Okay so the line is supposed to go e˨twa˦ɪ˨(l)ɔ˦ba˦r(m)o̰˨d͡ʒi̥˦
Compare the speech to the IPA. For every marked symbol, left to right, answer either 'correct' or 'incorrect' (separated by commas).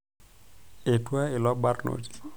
correct, incorrect